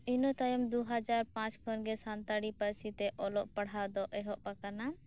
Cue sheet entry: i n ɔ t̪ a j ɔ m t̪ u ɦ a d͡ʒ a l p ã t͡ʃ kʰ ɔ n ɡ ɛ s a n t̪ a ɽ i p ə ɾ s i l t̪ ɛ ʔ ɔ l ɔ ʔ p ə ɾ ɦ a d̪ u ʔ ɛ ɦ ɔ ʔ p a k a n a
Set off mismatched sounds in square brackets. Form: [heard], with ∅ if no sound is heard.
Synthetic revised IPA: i n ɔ t̪ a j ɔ m [d̪] u ɦ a d͡ʒ a [ɾ] p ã t͡ʃ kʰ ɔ n ɡ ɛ s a n t̪ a ɽ i p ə ɾ s i [∅] t̪ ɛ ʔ ɔ l ɔ ʔ p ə [ɽ] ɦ a d̪ [ɔ] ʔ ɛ ɦ ɔ ʔ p a k a n a

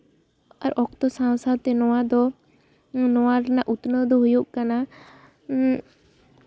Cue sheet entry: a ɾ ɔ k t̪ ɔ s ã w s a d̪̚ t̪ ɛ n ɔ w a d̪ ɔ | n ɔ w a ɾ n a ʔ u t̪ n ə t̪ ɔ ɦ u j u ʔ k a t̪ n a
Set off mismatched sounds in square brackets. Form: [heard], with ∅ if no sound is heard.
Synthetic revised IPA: a ɾ ɔ k t̪ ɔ s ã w s a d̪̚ t̪ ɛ n ɔ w a d̪ ɔ | n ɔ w a ɾ n a ʔ u t̪ n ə [d̪] ɔ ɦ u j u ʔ k a [∅] n a

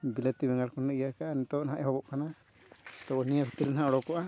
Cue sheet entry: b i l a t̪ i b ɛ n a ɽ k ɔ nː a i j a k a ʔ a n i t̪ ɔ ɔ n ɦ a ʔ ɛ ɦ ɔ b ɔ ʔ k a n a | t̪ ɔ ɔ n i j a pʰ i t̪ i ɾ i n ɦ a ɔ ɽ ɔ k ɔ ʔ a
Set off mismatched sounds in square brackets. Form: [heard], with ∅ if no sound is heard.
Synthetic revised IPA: b i l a t̪ i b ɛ [ŋ] a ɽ k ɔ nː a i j a k a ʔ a n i t̪ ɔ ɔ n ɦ a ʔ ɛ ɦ ɔ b ɔ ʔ k a n a | t̪ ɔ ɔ n i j a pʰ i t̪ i ɾ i n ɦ a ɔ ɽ ɔ k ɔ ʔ a

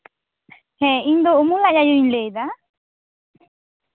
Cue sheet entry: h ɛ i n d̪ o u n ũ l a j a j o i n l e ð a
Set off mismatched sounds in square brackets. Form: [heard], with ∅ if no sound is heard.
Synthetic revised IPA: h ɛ i n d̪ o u [m] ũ l a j a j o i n l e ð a

